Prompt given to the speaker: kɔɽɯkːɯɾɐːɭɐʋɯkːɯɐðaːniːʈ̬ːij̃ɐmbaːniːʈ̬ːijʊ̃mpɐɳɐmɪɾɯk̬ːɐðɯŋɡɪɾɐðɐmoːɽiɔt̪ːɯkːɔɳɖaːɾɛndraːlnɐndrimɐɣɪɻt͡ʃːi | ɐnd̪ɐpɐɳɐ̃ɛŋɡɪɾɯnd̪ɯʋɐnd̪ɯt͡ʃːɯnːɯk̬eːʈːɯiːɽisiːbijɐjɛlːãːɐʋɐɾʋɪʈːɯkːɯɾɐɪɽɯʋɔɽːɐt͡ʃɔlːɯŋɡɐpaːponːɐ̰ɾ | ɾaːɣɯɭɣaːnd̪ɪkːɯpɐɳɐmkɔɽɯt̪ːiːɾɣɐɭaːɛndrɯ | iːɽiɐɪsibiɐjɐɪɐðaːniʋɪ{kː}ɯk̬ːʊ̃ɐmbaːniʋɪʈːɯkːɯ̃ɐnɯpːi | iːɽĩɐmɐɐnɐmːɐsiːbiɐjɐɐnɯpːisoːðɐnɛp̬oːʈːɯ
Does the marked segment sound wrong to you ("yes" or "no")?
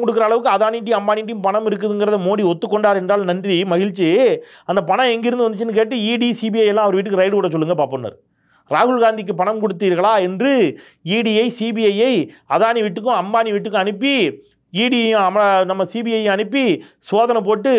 yes